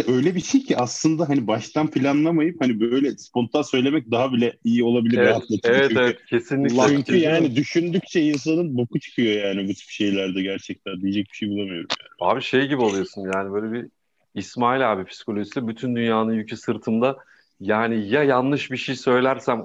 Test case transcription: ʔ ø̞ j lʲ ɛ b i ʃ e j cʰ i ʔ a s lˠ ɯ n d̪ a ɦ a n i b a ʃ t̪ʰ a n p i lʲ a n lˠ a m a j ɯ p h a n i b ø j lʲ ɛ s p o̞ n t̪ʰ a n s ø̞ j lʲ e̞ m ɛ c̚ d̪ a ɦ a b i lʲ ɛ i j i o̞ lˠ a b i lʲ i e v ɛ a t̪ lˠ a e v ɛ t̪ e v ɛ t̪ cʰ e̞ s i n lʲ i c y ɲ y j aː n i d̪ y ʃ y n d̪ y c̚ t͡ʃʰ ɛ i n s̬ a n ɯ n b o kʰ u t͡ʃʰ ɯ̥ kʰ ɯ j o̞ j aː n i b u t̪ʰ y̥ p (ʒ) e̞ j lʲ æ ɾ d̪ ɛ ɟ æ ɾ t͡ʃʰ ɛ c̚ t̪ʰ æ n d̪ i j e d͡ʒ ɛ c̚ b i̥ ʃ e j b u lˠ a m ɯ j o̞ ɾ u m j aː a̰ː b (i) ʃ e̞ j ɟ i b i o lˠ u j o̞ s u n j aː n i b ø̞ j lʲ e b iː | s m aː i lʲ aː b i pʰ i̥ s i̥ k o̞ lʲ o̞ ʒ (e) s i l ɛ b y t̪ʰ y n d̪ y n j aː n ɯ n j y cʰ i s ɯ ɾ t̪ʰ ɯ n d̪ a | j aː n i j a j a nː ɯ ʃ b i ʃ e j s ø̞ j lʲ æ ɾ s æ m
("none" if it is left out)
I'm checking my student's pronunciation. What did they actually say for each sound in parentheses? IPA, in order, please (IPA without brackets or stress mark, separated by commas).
ʃ, i, i